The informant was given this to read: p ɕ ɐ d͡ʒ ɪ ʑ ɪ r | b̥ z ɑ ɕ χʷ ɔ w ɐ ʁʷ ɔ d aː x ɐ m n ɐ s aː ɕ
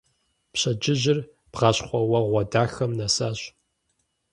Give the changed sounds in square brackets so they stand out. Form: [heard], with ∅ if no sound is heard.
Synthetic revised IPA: p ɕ ɐ d͡ʒ ɪ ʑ ɪ r | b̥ [ʁ] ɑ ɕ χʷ ɔ w ɐ ʁʷ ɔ d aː x ɐ m n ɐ s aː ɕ